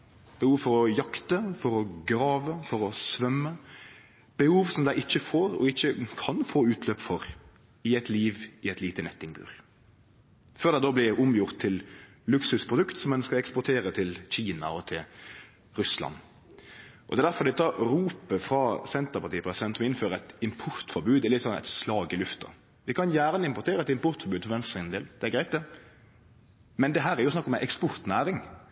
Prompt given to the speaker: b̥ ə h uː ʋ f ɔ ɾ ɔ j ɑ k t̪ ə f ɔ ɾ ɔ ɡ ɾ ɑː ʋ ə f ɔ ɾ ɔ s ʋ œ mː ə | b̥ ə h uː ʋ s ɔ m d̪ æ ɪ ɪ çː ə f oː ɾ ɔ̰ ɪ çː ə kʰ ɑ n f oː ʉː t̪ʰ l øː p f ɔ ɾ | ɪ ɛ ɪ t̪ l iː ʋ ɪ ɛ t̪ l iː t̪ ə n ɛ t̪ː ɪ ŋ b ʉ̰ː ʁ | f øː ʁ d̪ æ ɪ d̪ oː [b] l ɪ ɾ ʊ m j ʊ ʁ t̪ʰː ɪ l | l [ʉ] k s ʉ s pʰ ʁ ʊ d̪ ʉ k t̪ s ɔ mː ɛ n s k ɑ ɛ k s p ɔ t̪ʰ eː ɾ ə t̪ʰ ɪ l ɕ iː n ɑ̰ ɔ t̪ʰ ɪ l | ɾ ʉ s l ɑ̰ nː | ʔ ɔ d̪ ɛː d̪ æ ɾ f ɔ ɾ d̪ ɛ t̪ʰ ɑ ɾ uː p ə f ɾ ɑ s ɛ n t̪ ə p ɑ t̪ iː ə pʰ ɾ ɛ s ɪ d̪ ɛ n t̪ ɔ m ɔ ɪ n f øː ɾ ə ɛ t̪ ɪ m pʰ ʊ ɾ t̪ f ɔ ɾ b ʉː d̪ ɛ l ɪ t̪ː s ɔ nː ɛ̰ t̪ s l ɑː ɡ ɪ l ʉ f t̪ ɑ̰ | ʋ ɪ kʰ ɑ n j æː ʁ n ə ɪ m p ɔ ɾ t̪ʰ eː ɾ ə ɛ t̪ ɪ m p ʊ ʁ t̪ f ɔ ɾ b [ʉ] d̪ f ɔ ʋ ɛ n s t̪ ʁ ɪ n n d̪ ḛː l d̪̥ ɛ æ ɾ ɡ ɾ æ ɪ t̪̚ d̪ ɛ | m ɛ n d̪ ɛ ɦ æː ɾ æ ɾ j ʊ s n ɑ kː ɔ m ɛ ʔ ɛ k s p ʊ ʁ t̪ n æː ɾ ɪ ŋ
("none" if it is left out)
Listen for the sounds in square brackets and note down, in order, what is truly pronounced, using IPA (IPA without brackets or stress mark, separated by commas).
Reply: b, ʉ, ʉː